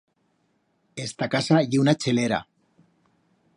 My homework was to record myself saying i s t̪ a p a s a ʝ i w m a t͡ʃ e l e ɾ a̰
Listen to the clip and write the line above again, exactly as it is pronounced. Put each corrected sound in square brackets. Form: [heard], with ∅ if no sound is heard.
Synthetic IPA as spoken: [e] s t̪ a [k] a s a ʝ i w [n] a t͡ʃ e l e ɾ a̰